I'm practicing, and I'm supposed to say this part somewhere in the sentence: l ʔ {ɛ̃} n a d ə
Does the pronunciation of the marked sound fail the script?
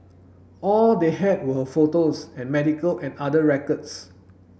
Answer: no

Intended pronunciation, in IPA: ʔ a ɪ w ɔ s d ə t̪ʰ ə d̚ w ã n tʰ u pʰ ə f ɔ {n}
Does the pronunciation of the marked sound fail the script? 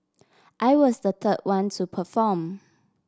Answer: yes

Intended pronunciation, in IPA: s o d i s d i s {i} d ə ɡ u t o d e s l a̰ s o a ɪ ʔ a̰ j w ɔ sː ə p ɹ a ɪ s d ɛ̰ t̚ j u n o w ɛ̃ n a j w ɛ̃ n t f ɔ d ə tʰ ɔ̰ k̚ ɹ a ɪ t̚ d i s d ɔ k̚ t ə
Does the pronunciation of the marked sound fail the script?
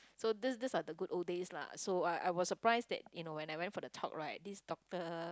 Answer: yes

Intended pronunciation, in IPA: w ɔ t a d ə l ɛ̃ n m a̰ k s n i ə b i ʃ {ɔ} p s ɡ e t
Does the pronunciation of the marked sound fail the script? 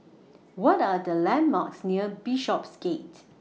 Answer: no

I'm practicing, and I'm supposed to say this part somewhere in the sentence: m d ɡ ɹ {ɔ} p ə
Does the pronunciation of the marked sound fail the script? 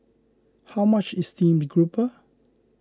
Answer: yes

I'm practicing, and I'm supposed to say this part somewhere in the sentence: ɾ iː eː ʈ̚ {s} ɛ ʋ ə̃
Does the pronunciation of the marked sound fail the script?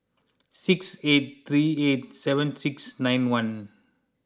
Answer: no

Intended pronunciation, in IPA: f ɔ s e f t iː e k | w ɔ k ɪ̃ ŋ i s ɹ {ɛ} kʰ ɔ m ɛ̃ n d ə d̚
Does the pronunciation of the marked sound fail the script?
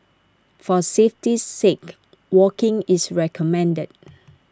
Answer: no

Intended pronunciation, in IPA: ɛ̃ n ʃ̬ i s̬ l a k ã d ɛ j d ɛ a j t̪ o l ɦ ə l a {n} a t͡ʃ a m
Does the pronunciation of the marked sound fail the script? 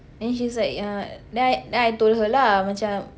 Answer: yes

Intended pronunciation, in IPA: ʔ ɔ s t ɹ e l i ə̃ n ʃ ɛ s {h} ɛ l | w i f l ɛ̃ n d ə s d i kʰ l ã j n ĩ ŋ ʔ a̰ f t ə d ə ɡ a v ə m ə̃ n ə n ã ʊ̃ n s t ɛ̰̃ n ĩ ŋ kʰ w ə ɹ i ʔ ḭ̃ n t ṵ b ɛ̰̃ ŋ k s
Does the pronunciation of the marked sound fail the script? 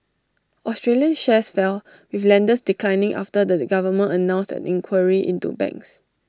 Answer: yes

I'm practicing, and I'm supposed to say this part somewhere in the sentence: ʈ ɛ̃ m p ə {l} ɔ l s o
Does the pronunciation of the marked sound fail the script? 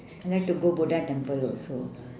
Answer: no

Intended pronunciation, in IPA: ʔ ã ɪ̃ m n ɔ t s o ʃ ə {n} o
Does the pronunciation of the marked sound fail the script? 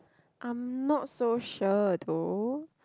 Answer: yes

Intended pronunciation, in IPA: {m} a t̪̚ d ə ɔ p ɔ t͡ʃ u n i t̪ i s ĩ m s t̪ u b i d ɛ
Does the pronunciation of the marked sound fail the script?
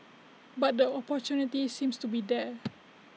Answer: yes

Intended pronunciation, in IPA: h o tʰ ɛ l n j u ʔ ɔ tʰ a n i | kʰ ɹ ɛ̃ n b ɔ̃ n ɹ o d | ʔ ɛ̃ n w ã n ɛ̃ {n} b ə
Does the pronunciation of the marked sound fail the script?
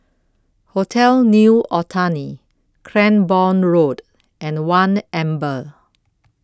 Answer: yes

